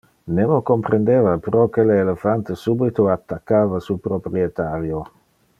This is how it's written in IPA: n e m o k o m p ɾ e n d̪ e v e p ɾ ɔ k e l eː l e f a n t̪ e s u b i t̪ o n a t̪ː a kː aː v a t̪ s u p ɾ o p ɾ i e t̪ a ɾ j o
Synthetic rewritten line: n e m o k o m p ɾ e n d̪ e v a p ɾ ɔ k e l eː l e f a n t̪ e s u b i t̪ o a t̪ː a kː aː v a s u p ɾ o p ɾ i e t̪ a ɾ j o